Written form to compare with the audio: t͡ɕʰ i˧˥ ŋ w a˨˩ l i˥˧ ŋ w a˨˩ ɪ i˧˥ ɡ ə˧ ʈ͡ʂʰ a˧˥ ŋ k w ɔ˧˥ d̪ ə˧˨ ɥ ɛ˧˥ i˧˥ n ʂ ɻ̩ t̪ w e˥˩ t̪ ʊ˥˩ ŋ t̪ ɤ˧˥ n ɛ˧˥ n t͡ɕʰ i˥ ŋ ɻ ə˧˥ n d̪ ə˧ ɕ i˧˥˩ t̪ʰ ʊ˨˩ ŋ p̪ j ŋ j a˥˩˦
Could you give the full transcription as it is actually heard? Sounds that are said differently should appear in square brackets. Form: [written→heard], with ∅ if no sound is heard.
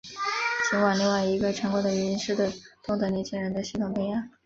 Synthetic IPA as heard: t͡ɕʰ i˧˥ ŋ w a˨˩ l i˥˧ ŋ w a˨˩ ɪ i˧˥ ɡ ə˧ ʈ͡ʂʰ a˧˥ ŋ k w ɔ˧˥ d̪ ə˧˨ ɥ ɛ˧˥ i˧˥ n ʂ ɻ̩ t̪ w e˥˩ t̪ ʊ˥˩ ŋ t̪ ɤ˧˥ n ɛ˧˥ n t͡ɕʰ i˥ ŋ ɻ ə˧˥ n d̪ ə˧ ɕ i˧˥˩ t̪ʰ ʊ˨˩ ŋ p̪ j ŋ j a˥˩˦